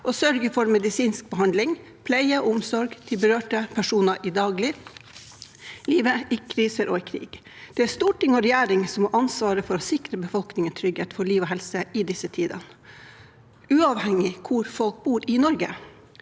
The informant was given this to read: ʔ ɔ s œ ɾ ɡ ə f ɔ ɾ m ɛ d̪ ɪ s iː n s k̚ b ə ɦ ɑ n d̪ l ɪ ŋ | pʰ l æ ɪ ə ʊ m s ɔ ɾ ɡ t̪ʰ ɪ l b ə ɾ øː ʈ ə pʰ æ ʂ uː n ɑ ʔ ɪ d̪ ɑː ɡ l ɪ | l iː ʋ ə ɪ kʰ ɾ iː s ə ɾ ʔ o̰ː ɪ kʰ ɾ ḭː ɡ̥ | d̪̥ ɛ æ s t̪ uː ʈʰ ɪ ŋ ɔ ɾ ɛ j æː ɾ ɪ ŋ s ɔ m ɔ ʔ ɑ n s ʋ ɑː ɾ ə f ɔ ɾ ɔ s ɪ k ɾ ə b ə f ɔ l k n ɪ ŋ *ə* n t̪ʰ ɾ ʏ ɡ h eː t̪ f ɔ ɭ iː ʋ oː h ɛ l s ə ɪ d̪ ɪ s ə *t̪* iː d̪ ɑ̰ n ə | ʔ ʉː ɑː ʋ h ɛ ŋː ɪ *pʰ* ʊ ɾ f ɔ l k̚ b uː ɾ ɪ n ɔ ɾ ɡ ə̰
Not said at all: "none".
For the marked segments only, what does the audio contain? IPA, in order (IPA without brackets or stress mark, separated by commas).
ə, t̪ʰ, kʰ